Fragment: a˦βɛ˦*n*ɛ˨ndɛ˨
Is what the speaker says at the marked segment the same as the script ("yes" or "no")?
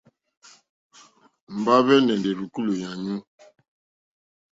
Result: yes